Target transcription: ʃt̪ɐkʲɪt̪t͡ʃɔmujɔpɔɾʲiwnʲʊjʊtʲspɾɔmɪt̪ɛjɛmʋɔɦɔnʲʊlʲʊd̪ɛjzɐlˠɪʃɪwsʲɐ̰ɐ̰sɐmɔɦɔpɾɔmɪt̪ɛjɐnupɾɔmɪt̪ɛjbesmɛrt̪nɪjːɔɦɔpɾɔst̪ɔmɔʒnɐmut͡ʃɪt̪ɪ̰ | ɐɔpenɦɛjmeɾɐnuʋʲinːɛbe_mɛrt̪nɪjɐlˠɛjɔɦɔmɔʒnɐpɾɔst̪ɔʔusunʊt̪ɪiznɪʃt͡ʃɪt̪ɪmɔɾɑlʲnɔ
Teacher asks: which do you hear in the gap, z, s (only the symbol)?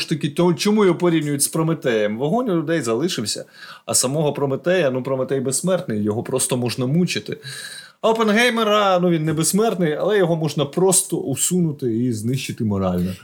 s